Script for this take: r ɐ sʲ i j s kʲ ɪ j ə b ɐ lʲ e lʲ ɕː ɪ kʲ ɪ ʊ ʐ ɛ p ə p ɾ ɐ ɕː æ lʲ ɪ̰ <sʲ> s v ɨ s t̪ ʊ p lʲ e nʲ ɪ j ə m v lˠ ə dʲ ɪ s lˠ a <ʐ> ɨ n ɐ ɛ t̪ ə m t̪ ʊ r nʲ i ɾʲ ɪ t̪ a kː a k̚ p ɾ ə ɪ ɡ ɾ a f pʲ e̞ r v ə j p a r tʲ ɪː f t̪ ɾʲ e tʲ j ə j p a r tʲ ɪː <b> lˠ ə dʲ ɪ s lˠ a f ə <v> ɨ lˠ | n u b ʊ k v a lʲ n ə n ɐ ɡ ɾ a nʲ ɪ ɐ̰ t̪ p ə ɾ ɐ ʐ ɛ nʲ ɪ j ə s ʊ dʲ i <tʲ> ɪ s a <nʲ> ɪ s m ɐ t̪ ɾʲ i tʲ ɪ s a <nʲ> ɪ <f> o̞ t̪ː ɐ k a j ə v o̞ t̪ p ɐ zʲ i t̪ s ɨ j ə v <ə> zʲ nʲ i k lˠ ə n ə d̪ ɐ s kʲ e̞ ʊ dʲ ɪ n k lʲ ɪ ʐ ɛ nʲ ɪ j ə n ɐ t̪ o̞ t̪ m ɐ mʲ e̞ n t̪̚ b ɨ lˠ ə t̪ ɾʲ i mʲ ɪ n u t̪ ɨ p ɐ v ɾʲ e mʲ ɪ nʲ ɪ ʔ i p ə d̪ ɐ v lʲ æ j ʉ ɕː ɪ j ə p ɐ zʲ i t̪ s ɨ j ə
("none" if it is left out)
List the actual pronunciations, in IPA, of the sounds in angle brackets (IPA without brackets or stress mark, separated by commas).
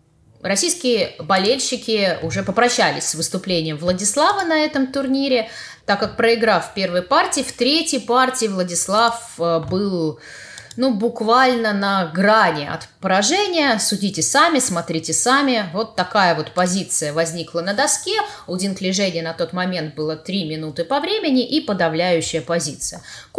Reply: sʲ, v, v, b, tʲ, mʲ, mʲ, v, ɐ